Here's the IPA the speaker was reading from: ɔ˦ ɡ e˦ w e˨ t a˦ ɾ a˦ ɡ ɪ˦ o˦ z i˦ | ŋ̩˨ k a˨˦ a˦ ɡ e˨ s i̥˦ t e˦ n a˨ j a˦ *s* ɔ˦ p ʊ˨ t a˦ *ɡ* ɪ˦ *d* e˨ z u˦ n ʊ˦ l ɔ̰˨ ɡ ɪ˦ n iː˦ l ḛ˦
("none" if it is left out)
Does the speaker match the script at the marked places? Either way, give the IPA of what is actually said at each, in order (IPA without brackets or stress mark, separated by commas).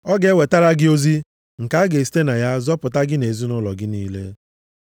z, ɡ, n